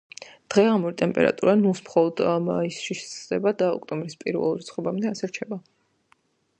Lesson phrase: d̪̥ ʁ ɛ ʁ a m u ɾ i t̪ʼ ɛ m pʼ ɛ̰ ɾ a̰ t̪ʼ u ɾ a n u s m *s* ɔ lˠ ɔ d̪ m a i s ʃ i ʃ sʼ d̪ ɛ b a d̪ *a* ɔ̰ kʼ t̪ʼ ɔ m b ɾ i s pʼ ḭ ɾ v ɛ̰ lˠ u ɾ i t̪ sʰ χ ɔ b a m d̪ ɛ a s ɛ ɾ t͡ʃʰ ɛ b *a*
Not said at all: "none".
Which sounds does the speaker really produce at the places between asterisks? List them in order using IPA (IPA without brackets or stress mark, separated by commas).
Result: χ, a, a